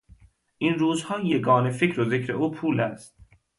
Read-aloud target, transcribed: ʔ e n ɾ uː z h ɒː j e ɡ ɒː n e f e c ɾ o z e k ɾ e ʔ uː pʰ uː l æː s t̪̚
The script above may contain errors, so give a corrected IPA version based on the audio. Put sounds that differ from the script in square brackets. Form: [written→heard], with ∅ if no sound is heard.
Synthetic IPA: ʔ [e→i] n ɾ uː z h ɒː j e ɡ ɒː n e f e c ɾ o z e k ɾ e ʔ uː pʰ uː l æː s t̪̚